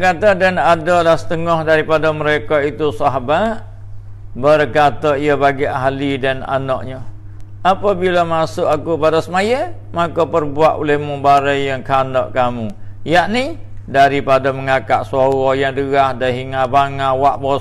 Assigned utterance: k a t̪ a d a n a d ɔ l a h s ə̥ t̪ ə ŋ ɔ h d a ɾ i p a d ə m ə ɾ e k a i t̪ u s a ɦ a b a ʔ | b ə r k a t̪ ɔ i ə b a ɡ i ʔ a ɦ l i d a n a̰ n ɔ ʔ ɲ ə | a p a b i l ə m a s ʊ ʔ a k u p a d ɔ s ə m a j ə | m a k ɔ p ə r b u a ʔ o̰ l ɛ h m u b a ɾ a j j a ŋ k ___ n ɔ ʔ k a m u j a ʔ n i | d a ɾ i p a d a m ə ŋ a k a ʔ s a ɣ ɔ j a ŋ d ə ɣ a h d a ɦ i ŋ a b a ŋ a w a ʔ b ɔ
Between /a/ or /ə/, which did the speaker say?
a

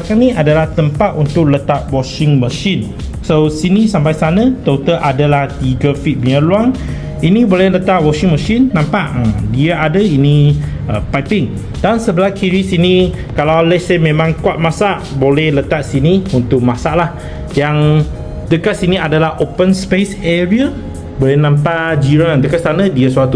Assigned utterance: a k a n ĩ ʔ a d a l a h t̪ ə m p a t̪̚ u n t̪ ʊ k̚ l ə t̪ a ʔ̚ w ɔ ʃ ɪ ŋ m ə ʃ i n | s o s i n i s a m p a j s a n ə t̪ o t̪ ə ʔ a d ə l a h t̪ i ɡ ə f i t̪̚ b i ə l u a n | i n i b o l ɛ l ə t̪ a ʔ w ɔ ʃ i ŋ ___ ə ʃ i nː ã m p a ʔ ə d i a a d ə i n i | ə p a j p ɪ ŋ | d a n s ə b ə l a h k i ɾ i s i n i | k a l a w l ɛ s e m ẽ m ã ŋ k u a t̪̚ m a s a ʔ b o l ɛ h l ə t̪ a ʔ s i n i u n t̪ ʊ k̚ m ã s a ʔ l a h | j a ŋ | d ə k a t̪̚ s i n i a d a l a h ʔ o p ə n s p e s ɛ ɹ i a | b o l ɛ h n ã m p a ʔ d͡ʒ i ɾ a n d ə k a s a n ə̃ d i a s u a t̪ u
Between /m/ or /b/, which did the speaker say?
m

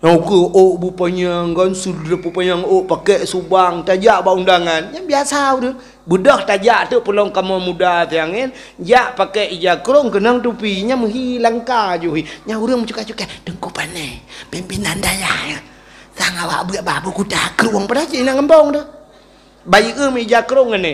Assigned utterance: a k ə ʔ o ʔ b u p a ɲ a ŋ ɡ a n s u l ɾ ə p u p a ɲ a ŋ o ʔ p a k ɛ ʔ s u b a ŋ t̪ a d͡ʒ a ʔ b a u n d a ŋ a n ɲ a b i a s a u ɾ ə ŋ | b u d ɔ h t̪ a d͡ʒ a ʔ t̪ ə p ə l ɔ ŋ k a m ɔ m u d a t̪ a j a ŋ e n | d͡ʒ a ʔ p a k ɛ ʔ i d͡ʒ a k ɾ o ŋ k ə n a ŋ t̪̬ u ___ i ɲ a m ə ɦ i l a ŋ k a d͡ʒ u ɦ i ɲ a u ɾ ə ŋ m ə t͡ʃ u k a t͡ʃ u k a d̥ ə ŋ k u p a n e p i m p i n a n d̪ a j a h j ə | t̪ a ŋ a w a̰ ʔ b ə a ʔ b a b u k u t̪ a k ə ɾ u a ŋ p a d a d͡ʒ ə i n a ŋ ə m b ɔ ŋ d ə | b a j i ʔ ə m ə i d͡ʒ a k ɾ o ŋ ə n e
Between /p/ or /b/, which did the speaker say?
p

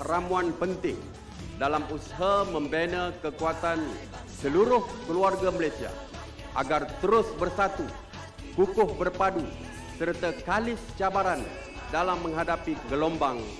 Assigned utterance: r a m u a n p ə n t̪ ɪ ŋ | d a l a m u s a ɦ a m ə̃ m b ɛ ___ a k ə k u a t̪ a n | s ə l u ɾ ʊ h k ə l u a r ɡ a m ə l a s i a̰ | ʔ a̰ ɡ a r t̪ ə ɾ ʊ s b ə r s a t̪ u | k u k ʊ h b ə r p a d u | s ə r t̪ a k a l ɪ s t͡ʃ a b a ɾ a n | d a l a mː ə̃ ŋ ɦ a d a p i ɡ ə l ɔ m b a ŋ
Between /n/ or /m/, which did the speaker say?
n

